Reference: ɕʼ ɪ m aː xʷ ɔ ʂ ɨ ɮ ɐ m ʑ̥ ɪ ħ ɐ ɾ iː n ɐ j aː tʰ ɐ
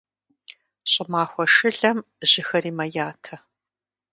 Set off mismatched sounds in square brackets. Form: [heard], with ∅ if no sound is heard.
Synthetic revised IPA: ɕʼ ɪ m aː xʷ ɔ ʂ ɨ ɮ ɐ m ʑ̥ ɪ [x] ɐ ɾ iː [m] ɐ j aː tʰ ɐ